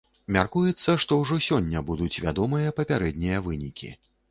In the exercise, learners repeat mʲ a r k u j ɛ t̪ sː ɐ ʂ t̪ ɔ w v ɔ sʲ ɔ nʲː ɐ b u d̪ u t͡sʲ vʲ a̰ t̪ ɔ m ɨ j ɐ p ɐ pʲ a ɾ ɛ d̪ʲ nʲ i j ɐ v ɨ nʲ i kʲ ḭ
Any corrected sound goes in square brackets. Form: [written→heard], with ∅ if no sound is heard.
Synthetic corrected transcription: mʲ a r k u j ɛ t̪ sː ɐ ʂ t̪ ɔ w [v→ʐ] ɔ sʲ ɔ nʲː ɐ b u d̪ u t͡sʲ vʲ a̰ [t̪→d̪] ɔ m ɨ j ɐ p ɐ pʲ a ɾ ɛ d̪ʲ nʲ i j ɐ v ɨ nʲ i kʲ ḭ